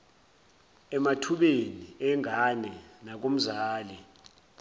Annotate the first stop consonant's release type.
aspirated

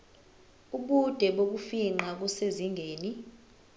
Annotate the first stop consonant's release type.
implosive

